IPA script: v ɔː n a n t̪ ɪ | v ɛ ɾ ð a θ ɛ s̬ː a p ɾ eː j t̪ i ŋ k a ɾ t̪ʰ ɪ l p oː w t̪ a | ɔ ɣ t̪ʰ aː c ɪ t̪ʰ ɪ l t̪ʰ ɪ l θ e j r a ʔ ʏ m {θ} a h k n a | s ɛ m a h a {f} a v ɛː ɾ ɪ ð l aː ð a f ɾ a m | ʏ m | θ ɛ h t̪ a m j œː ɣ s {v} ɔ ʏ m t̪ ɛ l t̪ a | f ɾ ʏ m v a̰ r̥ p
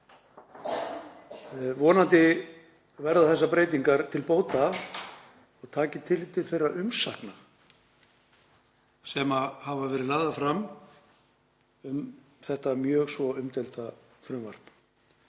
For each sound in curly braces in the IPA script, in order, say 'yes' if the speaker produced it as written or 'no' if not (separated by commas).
no, no, yes